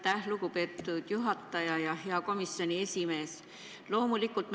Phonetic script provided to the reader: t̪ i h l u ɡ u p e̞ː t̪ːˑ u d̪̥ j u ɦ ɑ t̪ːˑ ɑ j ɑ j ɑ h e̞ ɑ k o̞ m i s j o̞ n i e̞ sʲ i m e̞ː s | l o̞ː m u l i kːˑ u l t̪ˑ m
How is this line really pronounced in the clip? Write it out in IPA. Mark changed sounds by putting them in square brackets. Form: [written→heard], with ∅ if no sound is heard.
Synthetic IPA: t̪ [i→æ] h l u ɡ u p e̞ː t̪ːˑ u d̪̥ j u ɦ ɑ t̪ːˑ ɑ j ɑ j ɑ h e̞ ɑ k o̞ m i s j o̞ n i e̞ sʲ i m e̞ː s | l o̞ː m u l i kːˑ u l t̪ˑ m